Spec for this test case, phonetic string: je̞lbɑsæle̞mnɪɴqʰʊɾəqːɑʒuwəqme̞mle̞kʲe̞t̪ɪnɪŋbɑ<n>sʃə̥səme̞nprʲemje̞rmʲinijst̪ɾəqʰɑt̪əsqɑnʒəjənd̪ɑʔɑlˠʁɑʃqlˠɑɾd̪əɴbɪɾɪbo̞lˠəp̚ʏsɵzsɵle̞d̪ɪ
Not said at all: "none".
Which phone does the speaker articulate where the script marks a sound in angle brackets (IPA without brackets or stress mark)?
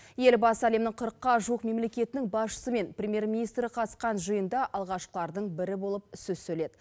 none